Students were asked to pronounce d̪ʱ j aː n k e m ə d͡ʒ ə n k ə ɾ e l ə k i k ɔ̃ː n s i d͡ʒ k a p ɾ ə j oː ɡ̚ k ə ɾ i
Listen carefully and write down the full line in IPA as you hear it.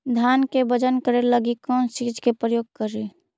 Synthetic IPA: d̪ʱ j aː n k e b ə d͡ʒ ə n k ə ɾ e l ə ɡ i k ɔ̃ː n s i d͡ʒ k e p ɾ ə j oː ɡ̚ k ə ɾ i